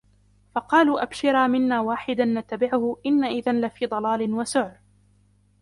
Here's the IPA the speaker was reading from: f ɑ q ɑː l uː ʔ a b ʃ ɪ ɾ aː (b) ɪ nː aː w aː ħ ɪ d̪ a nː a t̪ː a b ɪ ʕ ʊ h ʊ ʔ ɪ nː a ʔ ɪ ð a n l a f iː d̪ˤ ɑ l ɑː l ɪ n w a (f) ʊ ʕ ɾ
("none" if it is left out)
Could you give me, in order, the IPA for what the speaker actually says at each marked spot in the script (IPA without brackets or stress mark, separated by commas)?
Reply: m, s